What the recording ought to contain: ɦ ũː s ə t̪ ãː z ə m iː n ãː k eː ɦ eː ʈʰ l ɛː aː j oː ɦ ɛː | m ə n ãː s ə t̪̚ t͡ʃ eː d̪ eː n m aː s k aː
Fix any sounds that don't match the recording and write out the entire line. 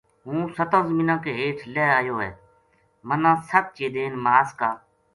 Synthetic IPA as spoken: ɦ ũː s ə t̪ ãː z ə m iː n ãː k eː ɦ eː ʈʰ l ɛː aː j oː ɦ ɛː | m ə n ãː s ə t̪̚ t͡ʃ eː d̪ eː n m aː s k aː